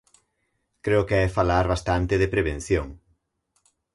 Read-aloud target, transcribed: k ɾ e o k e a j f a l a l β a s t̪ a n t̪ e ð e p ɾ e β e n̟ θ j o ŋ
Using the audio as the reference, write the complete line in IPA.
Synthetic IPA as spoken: k ɾ e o k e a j f a l a ɾ β a s t̪ a n t̪ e ð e p ɾ e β e n̟ θ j o ŋ